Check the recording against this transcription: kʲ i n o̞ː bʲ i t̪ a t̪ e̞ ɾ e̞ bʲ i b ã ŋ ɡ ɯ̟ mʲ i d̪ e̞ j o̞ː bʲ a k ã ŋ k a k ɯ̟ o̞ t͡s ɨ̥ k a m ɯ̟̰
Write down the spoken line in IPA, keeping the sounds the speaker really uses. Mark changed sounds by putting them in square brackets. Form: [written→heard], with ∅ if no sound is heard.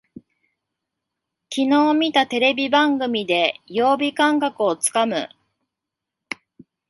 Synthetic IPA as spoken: kʲ i n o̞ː [bʲ→mʲ] i t̪ a t̪ e̞ ɾ e̞ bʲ i b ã ŋ ɡ ɯ̟ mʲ i d̪ e̞ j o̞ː bʲ [a→i] k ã ŋ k a k ɯ̟ o̞ t͡s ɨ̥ k a m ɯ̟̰